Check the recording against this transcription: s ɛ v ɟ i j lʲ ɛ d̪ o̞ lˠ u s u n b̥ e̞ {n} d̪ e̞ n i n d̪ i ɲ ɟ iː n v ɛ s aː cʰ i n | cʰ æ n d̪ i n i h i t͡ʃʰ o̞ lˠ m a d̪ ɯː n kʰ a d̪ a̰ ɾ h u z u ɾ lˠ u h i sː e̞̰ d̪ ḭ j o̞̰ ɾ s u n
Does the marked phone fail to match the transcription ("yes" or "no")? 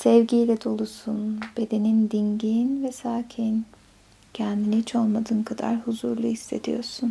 yes